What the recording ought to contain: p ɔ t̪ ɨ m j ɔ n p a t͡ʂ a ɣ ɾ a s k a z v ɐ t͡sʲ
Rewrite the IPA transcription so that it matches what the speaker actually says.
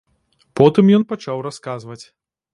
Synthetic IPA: p ɔ t̪ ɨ m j ɔ n p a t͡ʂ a w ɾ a s k a z v ɐ t͡sʲ